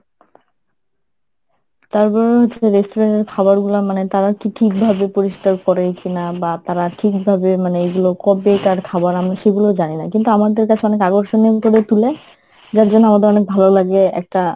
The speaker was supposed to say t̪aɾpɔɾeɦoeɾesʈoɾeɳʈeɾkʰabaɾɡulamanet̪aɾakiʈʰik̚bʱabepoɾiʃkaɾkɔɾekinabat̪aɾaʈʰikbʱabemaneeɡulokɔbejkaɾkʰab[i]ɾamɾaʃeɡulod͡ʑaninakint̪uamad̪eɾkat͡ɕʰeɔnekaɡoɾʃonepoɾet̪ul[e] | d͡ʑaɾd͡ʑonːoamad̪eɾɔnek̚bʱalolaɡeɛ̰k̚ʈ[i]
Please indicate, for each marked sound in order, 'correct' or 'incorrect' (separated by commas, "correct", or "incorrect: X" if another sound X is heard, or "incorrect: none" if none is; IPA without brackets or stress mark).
incorrect: a, correct, incorrect: a